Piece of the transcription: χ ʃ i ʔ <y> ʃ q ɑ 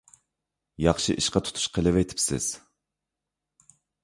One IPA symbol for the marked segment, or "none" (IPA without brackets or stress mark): i